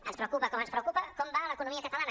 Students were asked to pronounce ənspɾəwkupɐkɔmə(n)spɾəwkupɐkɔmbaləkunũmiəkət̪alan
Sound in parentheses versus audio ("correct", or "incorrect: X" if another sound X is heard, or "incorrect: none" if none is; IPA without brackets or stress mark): correct